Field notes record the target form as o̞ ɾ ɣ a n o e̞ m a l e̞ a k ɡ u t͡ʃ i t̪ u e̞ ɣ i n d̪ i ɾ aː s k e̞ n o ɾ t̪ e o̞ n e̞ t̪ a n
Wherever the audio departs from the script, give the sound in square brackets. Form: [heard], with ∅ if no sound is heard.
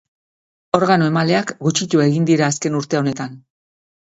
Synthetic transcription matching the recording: o̞ ɾ ɣ a n o e̞ m a l e̞ a k ɡ u t͡ʃ i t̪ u e̞ ɣ i n d̪ i ɾ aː s k e̞ n [u] ɾ t̪ e o̞ n e̞ t̪ a n